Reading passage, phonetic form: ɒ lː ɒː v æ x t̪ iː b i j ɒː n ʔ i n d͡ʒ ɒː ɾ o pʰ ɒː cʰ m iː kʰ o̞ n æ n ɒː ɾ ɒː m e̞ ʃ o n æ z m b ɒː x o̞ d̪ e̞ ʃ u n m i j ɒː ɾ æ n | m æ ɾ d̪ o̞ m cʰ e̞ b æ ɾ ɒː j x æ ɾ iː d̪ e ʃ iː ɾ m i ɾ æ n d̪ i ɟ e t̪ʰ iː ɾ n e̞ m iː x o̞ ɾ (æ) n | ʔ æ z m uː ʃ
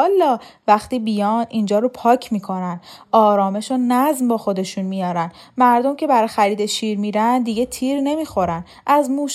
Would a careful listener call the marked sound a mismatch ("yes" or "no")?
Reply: no